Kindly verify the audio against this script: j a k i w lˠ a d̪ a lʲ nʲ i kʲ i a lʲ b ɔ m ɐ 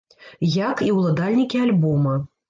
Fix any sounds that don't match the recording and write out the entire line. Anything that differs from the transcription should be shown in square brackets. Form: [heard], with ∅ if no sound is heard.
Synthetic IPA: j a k i w lˠ a d̪ a lʲ nʲ i kʲ i a lʲ b ɔ m ɐ